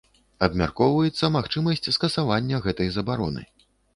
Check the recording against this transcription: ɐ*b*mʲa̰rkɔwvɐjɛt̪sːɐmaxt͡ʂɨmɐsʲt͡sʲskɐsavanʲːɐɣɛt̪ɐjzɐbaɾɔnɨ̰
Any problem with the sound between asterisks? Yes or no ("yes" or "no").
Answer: no